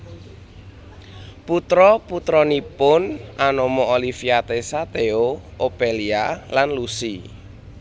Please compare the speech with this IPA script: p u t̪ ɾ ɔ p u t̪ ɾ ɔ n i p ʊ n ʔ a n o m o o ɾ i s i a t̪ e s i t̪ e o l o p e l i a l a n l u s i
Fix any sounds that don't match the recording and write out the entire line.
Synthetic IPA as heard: p u t̪ ɾ ɔ p u t̪ ɾ ɔ n i p ʊ n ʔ a n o m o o l i f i a t̪ e s a t̪ e o o p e l i a l a n l u s i